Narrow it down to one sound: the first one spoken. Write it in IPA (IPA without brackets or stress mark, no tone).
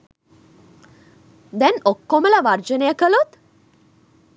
d̪